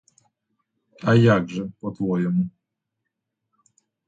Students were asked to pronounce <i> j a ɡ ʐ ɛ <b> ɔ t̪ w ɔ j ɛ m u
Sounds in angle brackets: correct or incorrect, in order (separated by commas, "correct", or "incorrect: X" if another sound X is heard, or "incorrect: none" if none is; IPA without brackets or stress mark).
incorrect: a, incorrect: p